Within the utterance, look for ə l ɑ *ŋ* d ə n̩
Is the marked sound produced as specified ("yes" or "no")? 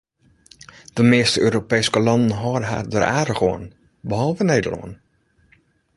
no